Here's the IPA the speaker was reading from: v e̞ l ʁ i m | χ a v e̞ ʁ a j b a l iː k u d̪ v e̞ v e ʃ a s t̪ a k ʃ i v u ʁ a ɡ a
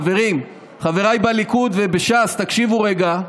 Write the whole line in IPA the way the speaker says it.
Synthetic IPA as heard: v e̞ ʁ i m | χ a v e̞ ʁ a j b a l i k u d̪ v e̞ b e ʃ a s t̪ a k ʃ i v u ʁ e ɡ a